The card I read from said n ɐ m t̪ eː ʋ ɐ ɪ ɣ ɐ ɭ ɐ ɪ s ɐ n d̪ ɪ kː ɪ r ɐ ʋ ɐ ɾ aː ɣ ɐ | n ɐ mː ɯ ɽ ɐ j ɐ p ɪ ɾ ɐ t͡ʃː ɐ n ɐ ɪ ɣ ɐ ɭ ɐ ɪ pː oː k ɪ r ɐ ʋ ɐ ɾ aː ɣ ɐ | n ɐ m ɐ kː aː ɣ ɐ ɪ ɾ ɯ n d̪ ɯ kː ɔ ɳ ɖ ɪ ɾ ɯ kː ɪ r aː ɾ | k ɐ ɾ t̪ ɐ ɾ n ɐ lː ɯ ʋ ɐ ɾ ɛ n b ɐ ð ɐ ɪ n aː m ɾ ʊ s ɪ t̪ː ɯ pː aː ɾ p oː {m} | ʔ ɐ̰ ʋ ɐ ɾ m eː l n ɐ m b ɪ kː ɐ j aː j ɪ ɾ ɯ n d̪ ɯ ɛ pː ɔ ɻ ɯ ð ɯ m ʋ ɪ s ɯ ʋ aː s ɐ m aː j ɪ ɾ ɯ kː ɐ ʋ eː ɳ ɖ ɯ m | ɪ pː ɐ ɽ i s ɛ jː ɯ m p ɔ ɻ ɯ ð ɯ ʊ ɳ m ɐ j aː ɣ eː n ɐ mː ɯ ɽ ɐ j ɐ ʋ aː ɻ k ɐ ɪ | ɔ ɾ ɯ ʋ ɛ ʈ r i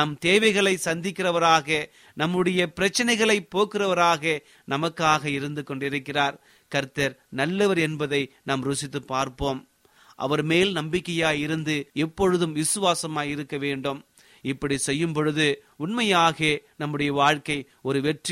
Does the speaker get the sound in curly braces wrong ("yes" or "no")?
no